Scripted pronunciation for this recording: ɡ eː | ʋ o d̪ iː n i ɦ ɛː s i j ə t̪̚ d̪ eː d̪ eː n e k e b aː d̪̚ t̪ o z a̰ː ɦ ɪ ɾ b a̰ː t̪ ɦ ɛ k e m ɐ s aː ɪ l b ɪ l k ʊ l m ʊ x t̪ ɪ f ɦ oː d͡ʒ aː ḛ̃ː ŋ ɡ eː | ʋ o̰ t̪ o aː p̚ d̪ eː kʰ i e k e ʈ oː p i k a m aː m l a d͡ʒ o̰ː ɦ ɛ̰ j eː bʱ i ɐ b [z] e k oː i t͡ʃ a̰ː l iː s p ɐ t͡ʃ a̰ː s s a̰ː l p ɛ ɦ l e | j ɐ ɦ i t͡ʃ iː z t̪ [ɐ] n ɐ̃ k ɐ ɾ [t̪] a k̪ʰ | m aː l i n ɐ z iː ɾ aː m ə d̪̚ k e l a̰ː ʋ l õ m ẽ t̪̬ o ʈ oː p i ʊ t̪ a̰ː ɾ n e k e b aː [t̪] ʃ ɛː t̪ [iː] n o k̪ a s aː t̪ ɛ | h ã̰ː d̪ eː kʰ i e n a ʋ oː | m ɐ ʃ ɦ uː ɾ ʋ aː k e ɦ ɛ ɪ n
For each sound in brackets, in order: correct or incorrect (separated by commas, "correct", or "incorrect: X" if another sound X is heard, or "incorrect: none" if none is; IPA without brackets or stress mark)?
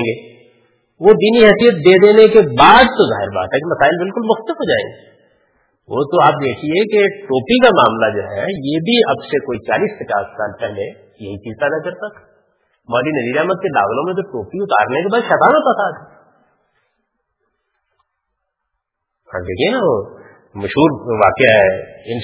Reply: incorrect: s, incorrect: a, correct, incorrect: d̪, incorrect: aː